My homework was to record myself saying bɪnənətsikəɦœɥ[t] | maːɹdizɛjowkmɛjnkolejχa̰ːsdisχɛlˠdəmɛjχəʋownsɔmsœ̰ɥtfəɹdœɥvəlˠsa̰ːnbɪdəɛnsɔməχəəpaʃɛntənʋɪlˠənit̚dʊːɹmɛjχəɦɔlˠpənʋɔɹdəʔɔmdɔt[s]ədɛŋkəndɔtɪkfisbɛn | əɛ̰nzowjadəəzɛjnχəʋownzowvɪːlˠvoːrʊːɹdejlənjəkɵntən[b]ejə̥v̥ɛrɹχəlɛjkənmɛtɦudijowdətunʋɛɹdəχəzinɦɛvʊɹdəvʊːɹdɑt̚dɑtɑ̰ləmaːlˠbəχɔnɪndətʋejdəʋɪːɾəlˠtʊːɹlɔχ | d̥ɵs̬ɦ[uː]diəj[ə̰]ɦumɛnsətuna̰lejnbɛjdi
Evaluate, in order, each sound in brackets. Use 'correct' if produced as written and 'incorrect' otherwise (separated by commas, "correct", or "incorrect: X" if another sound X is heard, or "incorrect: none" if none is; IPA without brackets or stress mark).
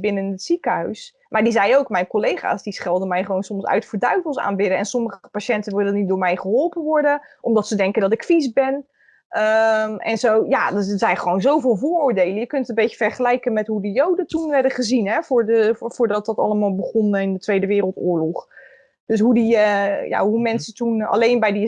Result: incorrect: s, correct, correct, incorrect: u, incorrect: a̰